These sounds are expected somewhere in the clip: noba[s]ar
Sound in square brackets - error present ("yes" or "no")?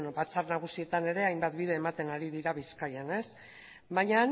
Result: yes